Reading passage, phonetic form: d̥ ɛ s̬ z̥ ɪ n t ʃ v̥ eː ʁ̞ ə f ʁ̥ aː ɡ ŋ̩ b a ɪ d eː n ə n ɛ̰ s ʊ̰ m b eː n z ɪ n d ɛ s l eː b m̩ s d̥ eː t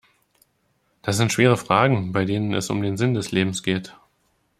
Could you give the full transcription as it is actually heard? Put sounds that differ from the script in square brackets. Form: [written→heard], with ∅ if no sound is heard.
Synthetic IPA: d̥ [ɛ→a] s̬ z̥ ɪ n t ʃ v̥ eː ʁ̞ ə f ʁ̥ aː ɡ ŋ̩ b a ɪ d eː n ə n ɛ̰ s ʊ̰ m [b→d] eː n z ɪ n d ɛ s l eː b m̩ s [d̥→ɡ̥] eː t